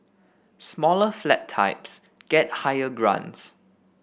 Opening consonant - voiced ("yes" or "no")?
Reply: no